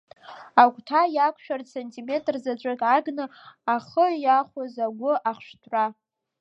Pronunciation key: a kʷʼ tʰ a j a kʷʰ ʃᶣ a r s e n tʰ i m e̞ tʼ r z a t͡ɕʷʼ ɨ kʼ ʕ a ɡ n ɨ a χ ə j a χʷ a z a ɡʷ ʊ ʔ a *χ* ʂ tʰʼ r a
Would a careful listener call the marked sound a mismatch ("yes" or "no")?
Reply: no